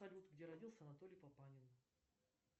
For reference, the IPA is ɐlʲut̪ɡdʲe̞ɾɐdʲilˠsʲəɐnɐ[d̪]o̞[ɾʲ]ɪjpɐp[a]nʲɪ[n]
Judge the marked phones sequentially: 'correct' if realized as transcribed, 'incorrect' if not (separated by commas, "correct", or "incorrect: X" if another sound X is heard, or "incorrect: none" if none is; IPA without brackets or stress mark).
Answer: incorrect: t̪, incorrect: lʲ, correct, correct